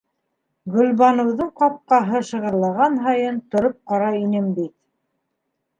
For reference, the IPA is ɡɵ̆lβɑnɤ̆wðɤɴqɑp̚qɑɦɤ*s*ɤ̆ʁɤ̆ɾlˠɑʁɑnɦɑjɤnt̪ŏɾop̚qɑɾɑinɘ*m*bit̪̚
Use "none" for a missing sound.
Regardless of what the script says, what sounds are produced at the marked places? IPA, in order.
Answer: ʃ, m

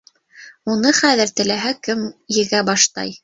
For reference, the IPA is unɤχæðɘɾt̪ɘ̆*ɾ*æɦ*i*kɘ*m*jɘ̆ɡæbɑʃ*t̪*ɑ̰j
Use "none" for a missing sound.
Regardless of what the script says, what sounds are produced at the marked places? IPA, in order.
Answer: l, æ, m, t̪

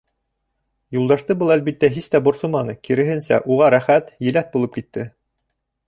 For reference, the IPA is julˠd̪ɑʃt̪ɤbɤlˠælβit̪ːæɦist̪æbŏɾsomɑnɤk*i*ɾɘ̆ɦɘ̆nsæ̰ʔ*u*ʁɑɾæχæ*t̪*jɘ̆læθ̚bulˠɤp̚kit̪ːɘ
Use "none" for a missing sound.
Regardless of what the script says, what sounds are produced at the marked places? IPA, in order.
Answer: i, u, t̪

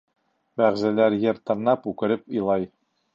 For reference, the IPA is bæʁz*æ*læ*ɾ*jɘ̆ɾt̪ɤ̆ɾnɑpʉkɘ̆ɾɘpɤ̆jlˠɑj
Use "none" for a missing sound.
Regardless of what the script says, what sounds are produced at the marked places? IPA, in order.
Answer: æ, ɾ

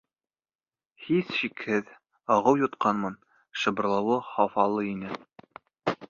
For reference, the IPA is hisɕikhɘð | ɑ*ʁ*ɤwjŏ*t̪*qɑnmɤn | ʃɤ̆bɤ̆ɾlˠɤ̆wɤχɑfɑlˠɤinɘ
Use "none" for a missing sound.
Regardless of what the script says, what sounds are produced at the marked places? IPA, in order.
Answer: ʁ, t̪

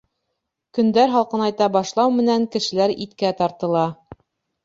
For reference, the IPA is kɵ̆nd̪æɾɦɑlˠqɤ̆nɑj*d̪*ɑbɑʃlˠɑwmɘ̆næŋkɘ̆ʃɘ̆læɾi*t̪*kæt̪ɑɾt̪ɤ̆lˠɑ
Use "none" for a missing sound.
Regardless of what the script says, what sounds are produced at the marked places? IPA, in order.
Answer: t̪, t̪

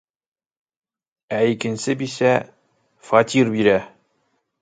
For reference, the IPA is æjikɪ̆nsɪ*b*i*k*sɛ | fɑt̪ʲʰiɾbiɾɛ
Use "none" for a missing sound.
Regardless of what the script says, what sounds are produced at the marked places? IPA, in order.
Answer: b, none

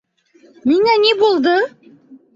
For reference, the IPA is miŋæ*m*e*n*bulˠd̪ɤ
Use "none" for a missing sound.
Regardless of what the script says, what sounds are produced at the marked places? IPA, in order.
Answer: n, none

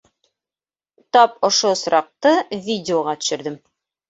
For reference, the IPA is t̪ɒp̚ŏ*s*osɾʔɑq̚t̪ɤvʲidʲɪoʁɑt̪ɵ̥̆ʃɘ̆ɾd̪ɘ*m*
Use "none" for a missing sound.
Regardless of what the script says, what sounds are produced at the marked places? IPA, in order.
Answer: ʃ, m

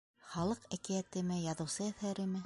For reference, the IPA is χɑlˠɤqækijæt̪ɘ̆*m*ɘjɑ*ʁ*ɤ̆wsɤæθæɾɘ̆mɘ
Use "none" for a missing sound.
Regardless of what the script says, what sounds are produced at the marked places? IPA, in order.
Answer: m, ð

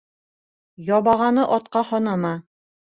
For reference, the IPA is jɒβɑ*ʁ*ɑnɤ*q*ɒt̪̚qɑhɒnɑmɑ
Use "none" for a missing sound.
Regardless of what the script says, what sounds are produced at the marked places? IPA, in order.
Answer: ʁ, ʔ

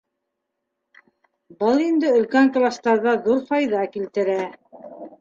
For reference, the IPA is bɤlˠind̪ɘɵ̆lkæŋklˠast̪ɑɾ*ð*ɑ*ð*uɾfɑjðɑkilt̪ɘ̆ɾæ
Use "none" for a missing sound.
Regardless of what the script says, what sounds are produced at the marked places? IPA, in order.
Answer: ð, ð

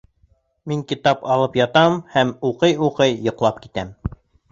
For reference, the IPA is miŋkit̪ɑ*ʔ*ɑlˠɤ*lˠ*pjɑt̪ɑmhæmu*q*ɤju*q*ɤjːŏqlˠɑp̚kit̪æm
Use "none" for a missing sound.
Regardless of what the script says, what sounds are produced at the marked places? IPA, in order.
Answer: p, none, q, q

